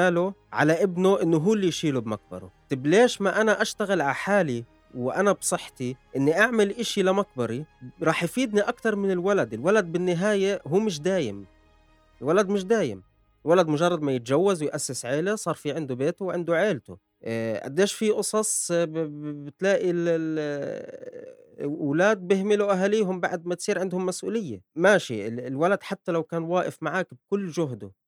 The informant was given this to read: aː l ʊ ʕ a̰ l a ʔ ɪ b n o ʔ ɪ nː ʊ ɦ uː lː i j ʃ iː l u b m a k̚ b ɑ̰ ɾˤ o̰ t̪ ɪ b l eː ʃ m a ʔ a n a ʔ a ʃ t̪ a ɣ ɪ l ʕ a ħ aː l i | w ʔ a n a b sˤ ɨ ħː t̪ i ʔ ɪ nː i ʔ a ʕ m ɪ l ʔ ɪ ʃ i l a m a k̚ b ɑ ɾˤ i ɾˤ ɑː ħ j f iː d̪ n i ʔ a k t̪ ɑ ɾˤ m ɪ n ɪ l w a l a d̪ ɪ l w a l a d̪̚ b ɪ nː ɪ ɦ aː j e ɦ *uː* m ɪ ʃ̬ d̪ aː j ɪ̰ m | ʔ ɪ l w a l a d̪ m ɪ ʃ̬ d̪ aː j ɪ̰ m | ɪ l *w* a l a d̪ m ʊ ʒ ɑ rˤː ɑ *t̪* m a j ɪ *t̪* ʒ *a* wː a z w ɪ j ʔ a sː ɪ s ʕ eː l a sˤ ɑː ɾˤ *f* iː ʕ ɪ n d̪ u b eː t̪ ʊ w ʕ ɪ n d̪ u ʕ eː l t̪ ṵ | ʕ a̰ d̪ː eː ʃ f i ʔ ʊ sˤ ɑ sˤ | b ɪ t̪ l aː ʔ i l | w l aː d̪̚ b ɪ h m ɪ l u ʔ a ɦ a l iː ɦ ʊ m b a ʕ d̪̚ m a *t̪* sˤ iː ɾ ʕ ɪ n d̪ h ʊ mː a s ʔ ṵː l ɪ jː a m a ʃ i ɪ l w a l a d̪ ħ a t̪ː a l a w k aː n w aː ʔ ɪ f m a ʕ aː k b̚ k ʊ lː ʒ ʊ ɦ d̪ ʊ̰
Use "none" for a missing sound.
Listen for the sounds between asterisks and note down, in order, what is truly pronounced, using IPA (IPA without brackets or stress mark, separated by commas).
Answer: uː, w, d̪, t̪, a, f, t̪